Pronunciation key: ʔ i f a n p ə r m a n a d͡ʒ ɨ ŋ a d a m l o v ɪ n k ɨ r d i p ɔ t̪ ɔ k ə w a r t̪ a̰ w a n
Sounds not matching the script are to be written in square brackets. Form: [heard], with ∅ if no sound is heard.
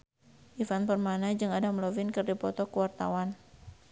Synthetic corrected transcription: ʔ i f a n p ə r m a n a d͡ʒ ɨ ŋ a d a m l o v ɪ n k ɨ r d i p ɔ t̪ ɔ k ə w a r t̪ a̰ w a n

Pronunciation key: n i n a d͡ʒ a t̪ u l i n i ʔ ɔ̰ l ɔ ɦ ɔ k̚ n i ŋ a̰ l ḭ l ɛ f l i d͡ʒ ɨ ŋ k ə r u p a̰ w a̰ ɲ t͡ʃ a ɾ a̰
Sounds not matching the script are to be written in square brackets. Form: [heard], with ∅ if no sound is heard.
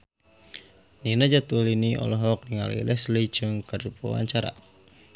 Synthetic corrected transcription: n i n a d͡ʒ a t̪ u l i n i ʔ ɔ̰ l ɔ ɦ ɔ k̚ n i ŋ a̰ l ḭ l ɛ [s] l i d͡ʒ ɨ ŋ k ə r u p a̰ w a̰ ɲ t͡ʃ a ɾ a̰

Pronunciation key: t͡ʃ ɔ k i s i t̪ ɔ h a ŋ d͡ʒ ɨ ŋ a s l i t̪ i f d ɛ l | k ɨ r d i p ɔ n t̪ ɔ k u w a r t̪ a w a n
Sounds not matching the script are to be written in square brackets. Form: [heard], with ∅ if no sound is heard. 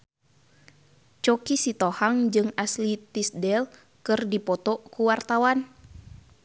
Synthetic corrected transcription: t͡ʃ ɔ k i s i t̪ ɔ h a ŋ d͡ʒ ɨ ŋ a s l i t̪ i [s] d ɛ l | k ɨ r d i p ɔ [∅] t̪ ɔ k u w a r t̪ a w a n

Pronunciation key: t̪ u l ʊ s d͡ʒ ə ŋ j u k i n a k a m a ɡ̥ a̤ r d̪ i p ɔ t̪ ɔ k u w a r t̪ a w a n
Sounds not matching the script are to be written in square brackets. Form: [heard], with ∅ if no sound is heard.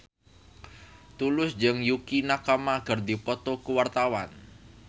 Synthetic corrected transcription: t̪ u l ʊ s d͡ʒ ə ŋ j u k i n a k a m a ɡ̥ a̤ r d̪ i p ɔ t̪ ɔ k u w a r t̪ a w a n

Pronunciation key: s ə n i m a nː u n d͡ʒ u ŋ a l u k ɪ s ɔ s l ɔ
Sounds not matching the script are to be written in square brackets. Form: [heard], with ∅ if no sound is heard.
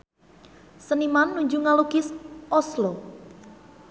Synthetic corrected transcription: s ə n i m a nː u [ɲ] d͡ʒ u ŋ a l u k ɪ s ɔ s l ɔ

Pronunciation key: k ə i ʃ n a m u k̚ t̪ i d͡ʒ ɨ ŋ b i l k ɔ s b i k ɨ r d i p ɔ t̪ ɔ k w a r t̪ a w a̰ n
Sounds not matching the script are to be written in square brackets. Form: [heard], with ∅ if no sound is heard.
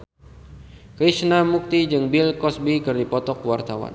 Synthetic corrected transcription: k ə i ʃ n a m u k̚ t̪ i d͡ʒ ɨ ŋ b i l k ɔ s b i k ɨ r d i p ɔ t̪ ɔ k w a r t̪ a w a̰ n

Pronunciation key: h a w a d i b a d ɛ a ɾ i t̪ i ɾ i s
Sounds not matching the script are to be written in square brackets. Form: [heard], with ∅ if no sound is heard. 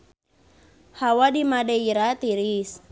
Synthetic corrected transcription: h a w a d i [m] a d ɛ [i] ɾ [a] t̪ i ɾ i s

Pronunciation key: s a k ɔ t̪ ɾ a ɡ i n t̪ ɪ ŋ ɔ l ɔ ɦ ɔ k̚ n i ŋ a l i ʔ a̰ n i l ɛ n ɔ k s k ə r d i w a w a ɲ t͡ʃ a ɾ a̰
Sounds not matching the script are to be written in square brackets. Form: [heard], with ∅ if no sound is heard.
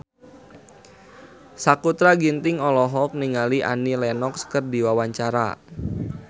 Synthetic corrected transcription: s a k [u] t̪ ɾ a ɡ i n t̪ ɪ ŋ ɔ l ɔ ɦ ɔ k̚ n i ŋ a l i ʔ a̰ n i l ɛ n ɔ k s k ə r d i w a w a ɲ t͡ʃ a ɾ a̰

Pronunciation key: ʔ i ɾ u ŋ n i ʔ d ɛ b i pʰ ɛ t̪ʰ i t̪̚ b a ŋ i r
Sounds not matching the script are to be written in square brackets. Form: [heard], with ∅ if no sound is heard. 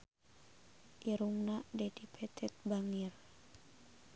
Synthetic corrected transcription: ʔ i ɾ u ŋ n [a] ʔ d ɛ [d] i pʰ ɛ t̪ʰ [ɛ] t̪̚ b a ŋ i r

